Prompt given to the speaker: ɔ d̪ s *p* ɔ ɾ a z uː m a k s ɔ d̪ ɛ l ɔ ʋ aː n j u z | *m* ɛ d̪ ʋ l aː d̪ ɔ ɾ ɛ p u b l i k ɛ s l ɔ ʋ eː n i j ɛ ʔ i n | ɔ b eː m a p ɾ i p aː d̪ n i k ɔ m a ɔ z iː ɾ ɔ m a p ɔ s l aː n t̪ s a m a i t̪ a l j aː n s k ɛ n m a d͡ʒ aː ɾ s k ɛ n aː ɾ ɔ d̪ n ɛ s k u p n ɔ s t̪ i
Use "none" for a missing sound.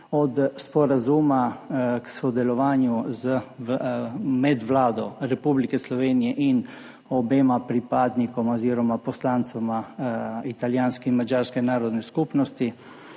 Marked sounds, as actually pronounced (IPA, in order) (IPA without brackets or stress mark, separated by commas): p, m